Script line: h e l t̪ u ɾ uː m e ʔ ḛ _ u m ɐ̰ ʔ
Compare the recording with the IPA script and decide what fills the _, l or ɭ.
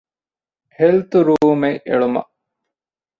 ɭ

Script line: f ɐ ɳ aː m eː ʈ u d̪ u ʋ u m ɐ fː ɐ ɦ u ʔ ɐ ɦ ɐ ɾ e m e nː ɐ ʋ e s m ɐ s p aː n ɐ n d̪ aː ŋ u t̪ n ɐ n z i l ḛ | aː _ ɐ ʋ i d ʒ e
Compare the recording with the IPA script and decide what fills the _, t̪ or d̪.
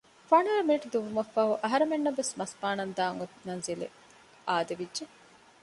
d̪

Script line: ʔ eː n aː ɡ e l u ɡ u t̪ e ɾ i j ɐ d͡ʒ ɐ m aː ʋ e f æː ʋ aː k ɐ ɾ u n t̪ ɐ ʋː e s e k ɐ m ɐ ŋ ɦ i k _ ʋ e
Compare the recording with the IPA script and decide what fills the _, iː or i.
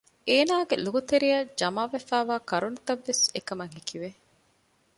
i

